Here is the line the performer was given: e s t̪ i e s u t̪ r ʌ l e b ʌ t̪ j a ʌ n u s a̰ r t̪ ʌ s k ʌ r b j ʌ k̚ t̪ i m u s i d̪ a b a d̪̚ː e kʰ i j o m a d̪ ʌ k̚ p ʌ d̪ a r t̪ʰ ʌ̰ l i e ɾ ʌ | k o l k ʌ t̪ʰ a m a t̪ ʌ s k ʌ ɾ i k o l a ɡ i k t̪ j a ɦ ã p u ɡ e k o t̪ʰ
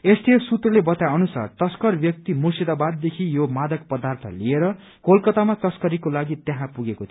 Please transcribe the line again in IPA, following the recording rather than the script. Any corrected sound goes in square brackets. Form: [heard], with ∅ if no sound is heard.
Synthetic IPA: e s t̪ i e s u t̪ r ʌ l e b ʌ t̪ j a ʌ n u s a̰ r t̪ ʌ s k ʌ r b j ʌ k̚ t̪ i m u s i d̪ a b a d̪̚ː e kʰ i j o m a d̪ ʌ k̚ p ʌ d̪ a r t̪ʰ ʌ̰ l i e ɾ ʌ | k o l k ʌ [t̪] a m a t̪ ʌ s k ʌ ɾ i k o l a ɡ i [∅] t̪ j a ɦ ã p u ɡ e k o t̪ʰ